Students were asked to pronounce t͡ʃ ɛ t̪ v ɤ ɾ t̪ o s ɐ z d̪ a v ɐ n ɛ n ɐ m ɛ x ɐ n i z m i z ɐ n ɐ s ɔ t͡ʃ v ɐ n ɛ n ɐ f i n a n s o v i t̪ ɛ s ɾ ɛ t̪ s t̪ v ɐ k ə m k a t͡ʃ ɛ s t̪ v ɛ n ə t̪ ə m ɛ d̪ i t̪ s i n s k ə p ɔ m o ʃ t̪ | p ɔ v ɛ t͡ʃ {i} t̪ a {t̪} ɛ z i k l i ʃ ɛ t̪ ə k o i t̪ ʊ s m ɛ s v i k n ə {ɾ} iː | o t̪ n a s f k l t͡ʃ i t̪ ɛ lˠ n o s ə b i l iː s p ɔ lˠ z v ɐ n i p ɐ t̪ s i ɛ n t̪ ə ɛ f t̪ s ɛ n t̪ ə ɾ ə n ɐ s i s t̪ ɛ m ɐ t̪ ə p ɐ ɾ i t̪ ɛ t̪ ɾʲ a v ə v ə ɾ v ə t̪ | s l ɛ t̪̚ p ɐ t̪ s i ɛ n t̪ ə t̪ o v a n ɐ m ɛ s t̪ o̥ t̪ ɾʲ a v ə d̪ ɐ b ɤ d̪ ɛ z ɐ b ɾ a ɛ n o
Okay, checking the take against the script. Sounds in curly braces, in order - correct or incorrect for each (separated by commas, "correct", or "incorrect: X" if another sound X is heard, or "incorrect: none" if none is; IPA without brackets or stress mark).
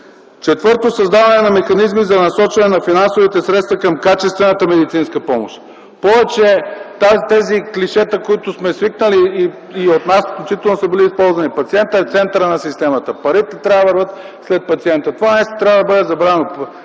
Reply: incorrect: ɛ, correct, incorrect: l